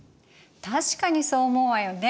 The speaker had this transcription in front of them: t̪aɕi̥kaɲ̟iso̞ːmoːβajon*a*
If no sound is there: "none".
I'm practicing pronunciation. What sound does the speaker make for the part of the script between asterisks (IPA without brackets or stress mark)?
e